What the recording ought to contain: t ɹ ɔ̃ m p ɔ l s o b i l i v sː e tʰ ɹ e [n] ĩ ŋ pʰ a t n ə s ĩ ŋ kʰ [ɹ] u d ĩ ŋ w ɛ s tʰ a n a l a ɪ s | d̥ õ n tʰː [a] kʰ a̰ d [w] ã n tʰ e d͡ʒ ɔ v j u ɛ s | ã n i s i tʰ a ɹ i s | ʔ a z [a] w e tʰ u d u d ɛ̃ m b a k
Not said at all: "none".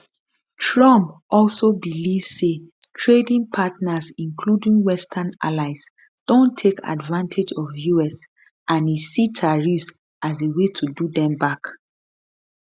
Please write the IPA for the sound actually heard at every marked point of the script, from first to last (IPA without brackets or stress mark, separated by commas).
d, l, e, v, e